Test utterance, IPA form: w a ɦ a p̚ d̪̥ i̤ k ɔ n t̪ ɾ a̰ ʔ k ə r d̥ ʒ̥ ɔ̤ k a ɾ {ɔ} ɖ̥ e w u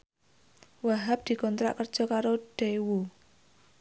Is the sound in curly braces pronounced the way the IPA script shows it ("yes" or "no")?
no